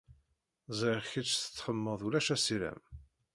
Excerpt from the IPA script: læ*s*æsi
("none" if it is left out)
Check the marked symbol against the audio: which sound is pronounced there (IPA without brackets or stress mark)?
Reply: ʃ